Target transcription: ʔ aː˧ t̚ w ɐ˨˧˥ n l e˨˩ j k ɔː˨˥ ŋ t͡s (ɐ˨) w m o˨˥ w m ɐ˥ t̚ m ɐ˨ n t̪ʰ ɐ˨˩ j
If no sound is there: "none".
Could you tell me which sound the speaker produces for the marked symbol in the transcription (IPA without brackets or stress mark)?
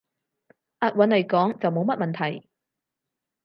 ɐ˨